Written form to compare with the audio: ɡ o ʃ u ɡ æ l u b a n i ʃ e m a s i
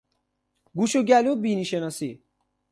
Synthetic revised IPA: ɡ u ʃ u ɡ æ l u b i n i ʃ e n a s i